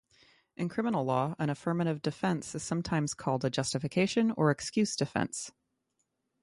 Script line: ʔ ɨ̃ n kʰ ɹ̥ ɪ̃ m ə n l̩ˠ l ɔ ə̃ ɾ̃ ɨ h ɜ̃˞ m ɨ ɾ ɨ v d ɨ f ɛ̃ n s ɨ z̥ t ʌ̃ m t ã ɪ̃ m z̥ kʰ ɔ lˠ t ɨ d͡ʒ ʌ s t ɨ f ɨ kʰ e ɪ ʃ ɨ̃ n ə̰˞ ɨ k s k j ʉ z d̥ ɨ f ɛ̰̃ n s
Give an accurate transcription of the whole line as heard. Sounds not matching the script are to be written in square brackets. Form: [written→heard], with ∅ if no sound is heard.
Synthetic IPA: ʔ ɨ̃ n kʰ ɹ̥ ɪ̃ m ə n l̩ˠ l ɔ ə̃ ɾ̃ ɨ [h→f] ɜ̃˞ m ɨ ɾ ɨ v d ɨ f ɛ̃ n s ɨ z̥ [t→s] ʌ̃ m [t→tʰ] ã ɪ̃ m z̥ kʰ ɔ lˠ [t→d] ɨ d͡ʒ ʌ s t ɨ f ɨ kʰ e ɪ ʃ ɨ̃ n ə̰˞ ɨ k s k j ʉ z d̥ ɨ f ɛ̰̃ n s